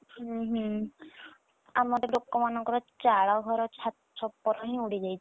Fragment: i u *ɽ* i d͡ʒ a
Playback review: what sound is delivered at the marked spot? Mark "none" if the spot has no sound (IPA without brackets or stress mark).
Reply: ɽ